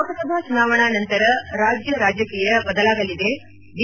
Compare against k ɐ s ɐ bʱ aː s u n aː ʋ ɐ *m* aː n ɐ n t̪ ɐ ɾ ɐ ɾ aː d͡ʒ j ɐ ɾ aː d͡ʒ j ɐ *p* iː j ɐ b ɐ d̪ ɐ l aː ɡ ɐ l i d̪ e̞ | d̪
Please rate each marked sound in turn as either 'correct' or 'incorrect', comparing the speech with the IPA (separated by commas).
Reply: incorrect, incorrect